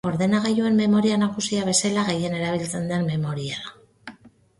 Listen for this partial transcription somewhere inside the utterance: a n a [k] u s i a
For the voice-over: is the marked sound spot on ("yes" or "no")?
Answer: yes